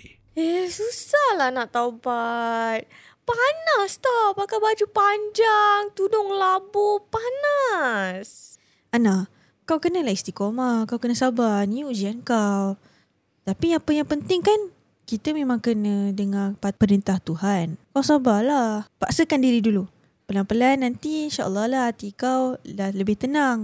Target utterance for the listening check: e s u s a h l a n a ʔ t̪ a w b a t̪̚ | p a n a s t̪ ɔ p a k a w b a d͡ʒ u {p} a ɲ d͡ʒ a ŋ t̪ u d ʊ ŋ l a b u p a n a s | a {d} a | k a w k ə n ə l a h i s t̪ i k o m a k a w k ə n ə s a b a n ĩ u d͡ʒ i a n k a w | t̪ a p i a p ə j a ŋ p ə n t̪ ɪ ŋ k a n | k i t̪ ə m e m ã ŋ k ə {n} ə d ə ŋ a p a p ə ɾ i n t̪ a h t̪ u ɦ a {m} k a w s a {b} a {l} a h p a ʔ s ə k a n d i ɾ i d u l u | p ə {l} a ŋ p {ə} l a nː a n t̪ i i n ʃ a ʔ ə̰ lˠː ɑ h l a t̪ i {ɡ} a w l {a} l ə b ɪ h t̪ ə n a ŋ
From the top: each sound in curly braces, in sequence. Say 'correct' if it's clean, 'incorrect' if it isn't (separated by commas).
correct, incorrect, correct, incorrect, correct, correct, correct, correct, incorrect, correct